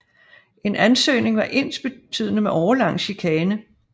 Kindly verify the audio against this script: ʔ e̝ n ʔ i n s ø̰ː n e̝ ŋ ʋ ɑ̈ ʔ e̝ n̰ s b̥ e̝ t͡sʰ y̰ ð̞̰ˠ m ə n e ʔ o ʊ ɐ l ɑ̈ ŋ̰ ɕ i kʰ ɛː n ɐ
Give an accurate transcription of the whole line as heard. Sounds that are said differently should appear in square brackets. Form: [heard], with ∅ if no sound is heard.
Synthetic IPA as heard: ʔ e̝ n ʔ [æ] n s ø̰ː n e̝ ŋ ʋ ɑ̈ ʔ e̝ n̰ s b̥ e̝ t͡sʰ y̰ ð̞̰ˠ [n] ə [m] e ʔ [ɒ] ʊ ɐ l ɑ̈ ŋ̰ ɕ i kʰ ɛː n [ə]

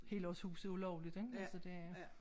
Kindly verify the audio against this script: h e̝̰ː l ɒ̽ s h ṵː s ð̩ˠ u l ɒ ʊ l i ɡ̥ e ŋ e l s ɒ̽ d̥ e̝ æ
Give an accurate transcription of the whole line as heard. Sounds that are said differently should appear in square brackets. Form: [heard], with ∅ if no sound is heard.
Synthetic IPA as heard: h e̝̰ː l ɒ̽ s h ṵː s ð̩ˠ u l ɒ ʊ l i [d̥] e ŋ [æ] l s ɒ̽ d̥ e̝ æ

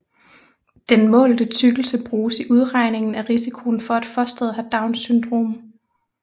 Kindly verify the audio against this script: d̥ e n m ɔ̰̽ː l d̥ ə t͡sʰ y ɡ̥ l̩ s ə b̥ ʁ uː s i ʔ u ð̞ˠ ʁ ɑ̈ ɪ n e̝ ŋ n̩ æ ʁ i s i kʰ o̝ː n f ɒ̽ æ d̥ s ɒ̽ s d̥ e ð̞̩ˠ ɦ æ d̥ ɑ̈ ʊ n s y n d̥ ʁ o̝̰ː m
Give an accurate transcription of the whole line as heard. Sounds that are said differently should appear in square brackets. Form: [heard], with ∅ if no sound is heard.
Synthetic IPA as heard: d̥ e n m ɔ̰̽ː l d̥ ə t͡sʰ y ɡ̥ l̩ s ə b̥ ʁ uː s i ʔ u ð̞ˠ ʁ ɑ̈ ɪ n e̝ ŋ n̩ æ ʁ i s i kʰ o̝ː n f ɒ̽ æ d̥ [f] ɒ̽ s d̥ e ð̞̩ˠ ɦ æ d̥ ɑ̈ ʊ n s y n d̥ ʁ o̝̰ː m

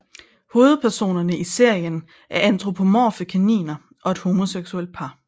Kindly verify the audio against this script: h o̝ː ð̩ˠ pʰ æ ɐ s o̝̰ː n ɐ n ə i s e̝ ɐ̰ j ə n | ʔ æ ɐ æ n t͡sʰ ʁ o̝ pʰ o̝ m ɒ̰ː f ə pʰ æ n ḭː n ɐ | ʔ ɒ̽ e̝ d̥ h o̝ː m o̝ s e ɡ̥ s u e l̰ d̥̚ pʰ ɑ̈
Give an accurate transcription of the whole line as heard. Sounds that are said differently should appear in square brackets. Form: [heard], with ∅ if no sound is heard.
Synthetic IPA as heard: h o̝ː ð̩ˠ pʰ æ ɐ s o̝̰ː n ɐ n ə i s e̝ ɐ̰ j ə n | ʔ æ ɐ æ n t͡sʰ ʁ o̝ pʰ o̝ m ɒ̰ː f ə [kʰ] æ n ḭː n ɐ | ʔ ɒ̽ e̝ d̥ h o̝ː m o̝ s e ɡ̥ s u e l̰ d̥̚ pʰ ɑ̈

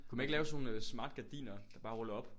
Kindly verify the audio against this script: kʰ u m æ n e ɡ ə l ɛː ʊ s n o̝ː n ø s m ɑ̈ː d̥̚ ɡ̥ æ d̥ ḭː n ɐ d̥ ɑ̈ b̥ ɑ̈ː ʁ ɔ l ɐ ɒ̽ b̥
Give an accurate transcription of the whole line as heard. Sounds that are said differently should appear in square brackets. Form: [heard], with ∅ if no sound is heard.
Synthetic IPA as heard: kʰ u m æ n e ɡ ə l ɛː ʊ s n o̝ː n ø s m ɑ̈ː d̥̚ ɡ̥ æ d̥ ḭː n ɐ d̥ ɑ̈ b̥ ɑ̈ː ʁ ɔ l ɐ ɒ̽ b̥

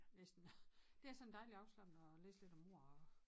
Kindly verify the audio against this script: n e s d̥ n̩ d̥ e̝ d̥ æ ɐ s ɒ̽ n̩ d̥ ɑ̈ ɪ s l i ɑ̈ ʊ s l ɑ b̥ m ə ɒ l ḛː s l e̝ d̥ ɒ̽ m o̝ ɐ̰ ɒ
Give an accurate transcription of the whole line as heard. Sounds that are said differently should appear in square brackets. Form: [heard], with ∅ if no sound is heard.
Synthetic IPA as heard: n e s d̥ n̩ d̥ e̝ [∅] æ ɐ s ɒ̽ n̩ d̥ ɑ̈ ɪ [∅] l i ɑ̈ ʊ s l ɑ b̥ [n] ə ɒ l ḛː s l e̝ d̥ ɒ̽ m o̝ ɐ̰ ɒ

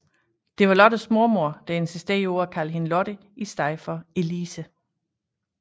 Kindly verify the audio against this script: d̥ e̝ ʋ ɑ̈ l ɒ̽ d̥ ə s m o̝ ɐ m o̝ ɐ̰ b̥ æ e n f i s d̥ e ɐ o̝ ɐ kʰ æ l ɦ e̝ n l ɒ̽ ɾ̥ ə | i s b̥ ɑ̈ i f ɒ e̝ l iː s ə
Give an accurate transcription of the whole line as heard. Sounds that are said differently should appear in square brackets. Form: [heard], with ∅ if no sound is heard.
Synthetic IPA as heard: d̥ e̝ ʋ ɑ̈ l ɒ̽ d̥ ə s m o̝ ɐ m o̝ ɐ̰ [d̥] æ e n [s] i s d̥ e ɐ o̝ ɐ kʰ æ l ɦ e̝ n l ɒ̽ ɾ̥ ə | i s [d̥] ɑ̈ [ɪ] f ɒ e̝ l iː s ə

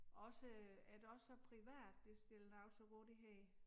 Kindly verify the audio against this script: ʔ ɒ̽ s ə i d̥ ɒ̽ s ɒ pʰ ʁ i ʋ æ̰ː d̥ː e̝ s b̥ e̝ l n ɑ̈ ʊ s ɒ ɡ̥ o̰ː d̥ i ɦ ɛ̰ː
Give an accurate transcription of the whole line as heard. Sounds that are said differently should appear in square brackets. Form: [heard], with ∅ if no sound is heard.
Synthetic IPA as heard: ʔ ɒ̽ s ə [æ] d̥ ɒ̽ s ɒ pʰ ʁ i ʋ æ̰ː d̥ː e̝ s [d̥] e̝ l n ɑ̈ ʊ s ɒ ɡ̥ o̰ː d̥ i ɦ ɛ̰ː

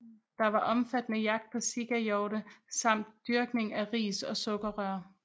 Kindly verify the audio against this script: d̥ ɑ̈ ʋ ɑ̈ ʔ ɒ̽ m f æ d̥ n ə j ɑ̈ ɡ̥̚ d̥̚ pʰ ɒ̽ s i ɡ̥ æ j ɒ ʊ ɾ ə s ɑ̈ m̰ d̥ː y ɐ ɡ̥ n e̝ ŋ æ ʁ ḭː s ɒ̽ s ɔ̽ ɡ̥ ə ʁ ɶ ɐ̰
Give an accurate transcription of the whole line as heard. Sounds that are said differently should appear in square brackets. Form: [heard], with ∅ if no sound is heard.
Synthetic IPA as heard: d̥ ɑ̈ ʋ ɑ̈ ʔ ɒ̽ m f æ d̥ n ə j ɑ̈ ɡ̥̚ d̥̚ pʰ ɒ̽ s i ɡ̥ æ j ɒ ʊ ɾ ə s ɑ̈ m̰ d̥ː y ɐ ɡ̥ n e̝ ŋ æ ʁ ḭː s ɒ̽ s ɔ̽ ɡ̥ [ɐ] ʁ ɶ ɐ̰

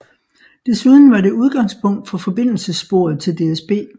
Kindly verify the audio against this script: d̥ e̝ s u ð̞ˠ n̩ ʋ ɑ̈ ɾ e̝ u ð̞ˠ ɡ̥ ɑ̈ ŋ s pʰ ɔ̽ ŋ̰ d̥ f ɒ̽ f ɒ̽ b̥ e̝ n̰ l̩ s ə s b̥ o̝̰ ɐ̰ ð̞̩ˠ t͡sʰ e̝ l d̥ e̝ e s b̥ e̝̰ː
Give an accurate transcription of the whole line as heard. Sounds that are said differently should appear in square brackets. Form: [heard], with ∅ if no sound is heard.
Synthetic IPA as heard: d̥ e̝ s u ð̞ˠ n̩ ʋ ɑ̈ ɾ e̝ u ð̞ˠ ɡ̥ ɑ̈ ŋ s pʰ ɔ̽ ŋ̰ d̥ f ɒ̽ f ɒ̽ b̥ e̝ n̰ l̩ s ə s b̥ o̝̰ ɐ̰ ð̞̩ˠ t͡sʰ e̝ l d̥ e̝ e s b̥ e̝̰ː

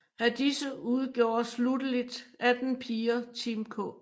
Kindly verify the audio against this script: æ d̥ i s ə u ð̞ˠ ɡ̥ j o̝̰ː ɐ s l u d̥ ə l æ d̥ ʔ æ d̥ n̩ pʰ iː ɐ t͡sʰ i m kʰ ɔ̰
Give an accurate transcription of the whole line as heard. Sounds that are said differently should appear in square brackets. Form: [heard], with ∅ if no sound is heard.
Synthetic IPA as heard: æ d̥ i s ə u ð̞ˠ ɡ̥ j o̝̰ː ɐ s l u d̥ ə l [i] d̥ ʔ æ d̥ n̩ pʰ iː ɐ t͡sʰ i m kʰ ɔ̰

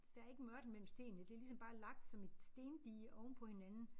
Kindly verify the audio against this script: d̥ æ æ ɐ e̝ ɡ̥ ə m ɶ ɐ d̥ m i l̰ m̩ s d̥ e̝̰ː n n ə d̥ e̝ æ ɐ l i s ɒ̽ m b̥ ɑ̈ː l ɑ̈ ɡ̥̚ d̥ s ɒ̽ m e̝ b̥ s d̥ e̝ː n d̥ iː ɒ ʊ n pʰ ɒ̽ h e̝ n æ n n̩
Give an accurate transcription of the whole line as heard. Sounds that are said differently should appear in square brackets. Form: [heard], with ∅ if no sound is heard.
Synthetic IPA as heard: d̥ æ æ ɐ e̝ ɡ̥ ə m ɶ ɐ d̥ m [e] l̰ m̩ s d̥ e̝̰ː n n ə d̥ e̝ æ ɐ l i s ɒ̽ m b̥ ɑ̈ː l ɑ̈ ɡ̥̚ d̥ s ɒ̽ m e̝ [d̥] s d̥ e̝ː n d̥ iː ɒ ʊ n pʰ ɒ̽ h e̝ n æ n n̩

